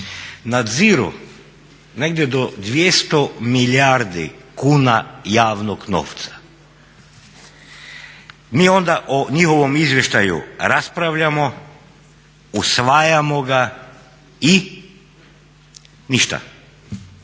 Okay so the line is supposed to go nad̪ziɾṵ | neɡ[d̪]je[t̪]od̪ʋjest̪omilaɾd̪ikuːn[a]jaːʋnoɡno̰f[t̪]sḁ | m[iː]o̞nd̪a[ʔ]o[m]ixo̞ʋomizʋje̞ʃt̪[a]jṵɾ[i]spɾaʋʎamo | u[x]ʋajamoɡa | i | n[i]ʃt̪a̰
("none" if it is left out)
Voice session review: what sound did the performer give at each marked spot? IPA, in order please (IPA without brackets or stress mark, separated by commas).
d̪, d̪, a, t̪, iː, ʔ, ɲ, a, a, s, i